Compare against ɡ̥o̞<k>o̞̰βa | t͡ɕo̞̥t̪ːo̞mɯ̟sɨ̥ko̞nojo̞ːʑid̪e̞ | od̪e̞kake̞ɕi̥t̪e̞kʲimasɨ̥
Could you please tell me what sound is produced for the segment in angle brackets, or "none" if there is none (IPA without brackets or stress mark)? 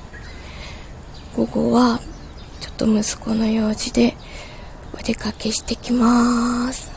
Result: ɡ